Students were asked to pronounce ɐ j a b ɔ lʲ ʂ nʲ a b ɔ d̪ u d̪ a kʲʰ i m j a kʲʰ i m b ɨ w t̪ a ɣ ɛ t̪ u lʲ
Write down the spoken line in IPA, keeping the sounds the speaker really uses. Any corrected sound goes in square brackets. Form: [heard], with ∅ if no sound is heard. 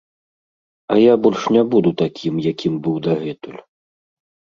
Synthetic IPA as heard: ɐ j a b ɔ lʲ ʂ nʲ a b [u] d̪ u [t̪] a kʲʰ i m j a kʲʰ i m b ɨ w [d̪] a ɣ ɛ t̪ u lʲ

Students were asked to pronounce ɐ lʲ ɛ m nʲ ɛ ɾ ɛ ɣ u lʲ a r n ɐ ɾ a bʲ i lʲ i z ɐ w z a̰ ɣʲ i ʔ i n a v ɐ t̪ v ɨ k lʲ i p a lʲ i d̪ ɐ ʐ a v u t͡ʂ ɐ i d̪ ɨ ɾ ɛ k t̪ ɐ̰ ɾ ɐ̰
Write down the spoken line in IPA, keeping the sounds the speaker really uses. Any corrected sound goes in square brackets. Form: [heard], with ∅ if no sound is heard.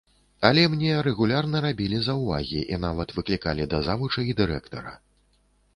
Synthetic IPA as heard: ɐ lʲ ɛ m nʲ ɛ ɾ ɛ ɣ u lʲ a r n ɐ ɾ a bʲ i lʲ i z ɐ w [v] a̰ ɣʲ i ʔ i n a v ɐ t̪ v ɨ k lʲ i [k] a lʲ i d̪ ɐ [z] a v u t͡ʂ ɐ i d̪ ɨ ɾ ɛ k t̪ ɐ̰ ɾ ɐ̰

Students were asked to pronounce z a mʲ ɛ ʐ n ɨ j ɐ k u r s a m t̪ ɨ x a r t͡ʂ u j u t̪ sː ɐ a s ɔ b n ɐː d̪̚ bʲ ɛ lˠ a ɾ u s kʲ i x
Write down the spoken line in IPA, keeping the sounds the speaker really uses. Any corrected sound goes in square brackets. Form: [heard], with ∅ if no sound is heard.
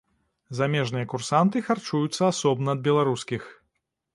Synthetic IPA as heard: z a mʲ ɛ ʐ n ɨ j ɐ k u r s a [n] t̪ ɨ x a r t͡ʂ u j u t̪ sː ɐ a s ɔ b n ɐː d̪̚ bʲ ɛ lˠ a ɾ u s kʲ i x

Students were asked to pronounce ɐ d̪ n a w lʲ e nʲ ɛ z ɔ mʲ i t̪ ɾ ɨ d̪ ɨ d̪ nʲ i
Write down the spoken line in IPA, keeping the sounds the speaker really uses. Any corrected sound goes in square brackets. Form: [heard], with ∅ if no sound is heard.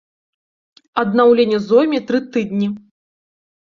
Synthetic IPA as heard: ɐ d̪ n a w lʲ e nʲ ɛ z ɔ mʲ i t̪ ɾ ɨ [t̪] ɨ d̪ nʲ i

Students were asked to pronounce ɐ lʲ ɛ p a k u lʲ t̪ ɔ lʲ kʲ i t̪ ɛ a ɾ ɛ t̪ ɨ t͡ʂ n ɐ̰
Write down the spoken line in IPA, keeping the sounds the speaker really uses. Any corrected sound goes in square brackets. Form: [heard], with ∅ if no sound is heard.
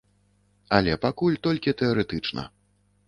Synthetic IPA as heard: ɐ lʲ ɛ p a k u lʲ t̪ ɔ lʲ kʲ i t̪ ɛ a ɾ ɛ t̪ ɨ t͡ʂ n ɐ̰

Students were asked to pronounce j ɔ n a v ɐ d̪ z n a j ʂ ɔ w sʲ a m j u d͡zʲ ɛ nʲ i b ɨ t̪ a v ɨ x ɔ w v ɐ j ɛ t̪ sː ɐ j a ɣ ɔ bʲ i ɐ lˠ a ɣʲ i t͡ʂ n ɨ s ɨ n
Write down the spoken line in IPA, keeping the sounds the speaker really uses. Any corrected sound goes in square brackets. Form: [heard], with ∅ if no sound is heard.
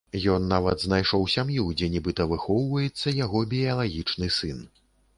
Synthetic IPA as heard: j ɔ [nː] a v ɐ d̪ z n a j ʂ ɔ w sʲ a m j u d͡zʲ ɛ nʲ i b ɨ t̪ [ɐ] v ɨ x ɔ w v ɐ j ɛ t̪ sː ɐ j a ɣ ɔ bʲ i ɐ lˠ a ɣʲ i t͡ʂ n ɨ s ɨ n

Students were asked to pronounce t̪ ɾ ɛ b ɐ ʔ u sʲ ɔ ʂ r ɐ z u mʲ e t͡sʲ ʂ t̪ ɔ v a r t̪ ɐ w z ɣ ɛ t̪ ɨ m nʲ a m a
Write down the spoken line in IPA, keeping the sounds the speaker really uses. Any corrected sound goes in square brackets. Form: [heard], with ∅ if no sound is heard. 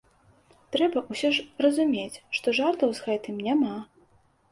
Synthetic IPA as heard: t̪ ɾ ɛ b ɐ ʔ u sʲ ɔ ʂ r ɐ z u mʲ e t͡sʲ ʂ t̪ ɔ [ʐ] a r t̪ ɐ w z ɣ ɛ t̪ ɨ m nʲ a m a

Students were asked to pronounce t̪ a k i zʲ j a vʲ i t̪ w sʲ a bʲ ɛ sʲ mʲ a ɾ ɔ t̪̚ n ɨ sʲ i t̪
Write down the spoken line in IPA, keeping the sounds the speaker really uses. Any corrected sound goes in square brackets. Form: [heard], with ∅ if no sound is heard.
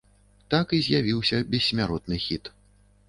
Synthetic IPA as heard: t̪ a k i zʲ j a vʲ i [∅] w sʲ [ɐ] bʲ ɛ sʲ mʲ a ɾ ɔ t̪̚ n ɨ [xʲ] i t̪

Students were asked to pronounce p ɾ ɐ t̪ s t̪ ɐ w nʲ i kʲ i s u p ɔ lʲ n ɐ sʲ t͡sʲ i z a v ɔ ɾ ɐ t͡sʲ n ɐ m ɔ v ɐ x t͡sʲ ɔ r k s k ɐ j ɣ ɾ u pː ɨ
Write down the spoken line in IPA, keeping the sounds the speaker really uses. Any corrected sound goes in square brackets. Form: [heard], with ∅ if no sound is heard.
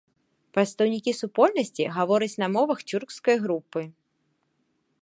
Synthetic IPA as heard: p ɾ ɐ t̪ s t̪ ɐ w nʲ i kʲ i s u p ɔ lʲ n ɐ sʲ t͡sʲ i [ɣ] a v ɔ ɾ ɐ t͡sʲ n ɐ m ɔ v ɐ x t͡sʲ [u] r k s k ɐ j ɣ ɾ u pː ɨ

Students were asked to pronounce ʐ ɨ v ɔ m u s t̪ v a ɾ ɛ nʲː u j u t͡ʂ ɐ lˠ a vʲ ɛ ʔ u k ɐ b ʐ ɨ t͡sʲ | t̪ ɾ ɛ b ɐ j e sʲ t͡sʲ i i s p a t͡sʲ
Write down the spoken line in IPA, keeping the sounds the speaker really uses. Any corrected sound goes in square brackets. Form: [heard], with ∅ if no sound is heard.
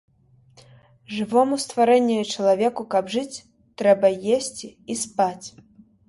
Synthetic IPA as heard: ʐ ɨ v ɔ m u s t̪ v a ɾ ɛ nʲː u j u t͡ʂ ɐ lˠ a vʲ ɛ [k] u k ɐ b ʐ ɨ t͡sʲ | t̪ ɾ ɛ b ɐ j e sʲ t͡sʲ i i s p a t͡sʲ

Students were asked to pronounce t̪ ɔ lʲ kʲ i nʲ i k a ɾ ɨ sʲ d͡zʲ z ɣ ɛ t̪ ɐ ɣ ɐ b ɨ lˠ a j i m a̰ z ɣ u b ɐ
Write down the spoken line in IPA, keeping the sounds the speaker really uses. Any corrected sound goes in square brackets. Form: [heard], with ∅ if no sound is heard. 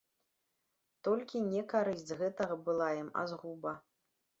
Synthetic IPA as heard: t̪ ɔ lʲ kʲ i nʲ [ɛ] k a ɾ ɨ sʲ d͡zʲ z ɣ ɛ t̪ ɐ ɣ ɐ b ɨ lˠ a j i m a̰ z ɣ u b ɐ

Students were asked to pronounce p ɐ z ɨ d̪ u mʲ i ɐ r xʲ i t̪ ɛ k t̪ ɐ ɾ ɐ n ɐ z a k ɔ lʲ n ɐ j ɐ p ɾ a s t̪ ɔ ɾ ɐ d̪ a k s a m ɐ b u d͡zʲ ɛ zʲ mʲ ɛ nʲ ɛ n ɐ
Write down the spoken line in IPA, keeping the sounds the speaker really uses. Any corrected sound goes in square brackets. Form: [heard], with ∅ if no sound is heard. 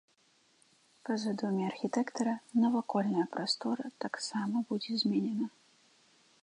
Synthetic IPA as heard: p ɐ z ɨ d̪ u mʲ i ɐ r xʲ i t̪ ɛ k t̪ ɐ ɾ ɐ n ɐ [v] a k ɔ lʲ n ɐ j ɐ p ɾ a s t̪ ɔ ɾ ɐ [t̪] a k s a m ɐ b u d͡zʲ ɛ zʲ mʲ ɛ nʲ ɛ n ɐ

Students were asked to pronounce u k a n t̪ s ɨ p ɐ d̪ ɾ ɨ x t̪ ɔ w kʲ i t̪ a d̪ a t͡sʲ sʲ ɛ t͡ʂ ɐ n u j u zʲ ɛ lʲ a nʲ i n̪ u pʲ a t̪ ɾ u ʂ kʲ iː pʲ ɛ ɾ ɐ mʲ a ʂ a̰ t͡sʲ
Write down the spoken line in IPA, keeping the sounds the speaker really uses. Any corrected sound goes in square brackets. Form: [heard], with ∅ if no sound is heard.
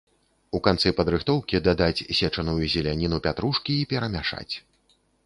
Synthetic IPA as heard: u k a n t̪ s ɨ p ɐ d̪ ɾ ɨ x t̪ ɔ w kʲ i [d̪] a d̪ a t͡sʲ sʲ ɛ t͡ʂ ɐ n u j u zʲ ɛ lʲ a nʲ i n̪ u pʲ a t̪ ɾ u ʂ kʲ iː pʲ ɛ ɾ ɐ mʲ a ʂ a̰ t͡sʲ

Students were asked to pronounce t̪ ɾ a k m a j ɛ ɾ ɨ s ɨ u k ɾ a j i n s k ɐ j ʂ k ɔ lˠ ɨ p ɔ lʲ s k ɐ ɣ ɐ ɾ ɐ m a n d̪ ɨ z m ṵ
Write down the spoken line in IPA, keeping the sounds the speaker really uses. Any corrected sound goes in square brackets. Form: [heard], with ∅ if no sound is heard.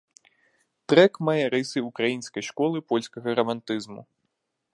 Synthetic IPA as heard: t̪ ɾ [ɛ] k m a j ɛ ɾ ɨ s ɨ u k ɾ a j i n s k ɐ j ʂ k ɔ lˠ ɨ p ɔ lʲ s k ɐ ɣ ɐ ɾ ɐ m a n [t̪] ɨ z m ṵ

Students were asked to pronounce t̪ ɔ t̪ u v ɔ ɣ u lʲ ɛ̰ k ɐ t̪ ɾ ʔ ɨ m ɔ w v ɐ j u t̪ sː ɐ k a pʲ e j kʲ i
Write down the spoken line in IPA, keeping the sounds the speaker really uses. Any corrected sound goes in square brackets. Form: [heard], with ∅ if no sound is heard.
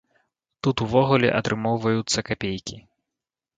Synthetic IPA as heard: t̪ [u] t̪ u v ɔ ɣ u lʲ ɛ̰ [ʔ] ɐ t̪ ɾ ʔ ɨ m ɔ w v ɐ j u t̪ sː ɐ k a pʲ e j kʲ i

